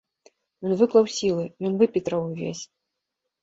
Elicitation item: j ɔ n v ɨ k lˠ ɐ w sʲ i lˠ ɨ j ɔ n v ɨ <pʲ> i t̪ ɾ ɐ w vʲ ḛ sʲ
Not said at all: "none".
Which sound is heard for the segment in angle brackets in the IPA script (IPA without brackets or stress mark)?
pʲ